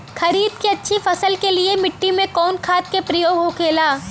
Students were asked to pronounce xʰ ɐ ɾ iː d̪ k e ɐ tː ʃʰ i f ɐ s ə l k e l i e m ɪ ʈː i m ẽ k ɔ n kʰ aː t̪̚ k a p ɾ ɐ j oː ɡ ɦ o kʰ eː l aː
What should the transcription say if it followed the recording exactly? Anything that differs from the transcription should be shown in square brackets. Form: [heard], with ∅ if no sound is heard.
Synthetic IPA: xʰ ɐ ɾ iː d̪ k e ɐ tː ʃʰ i f ɐ s ə l k e l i e m ɪ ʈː i m ẽ k [ɔː] n kʰ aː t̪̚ k [e] p ɾ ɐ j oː ɡ ɦ o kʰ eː l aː